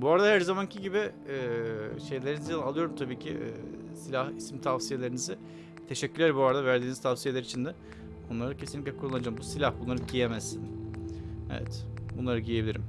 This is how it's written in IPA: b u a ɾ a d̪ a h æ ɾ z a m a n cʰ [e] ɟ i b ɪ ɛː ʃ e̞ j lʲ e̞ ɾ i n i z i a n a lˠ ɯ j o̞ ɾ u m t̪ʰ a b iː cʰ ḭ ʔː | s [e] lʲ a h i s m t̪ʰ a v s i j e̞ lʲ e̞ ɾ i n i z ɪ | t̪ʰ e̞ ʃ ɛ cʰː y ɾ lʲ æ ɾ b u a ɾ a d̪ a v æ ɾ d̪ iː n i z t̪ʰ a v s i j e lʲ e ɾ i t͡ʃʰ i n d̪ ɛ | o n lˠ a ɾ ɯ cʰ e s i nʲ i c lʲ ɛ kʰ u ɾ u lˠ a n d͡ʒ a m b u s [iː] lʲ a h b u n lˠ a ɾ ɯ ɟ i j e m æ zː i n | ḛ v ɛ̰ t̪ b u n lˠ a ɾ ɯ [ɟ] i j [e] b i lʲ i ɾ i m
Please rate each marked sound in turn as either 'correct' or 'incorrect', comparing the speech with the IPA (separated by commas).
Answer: incorrect, incorrect, incorrect, correct, correct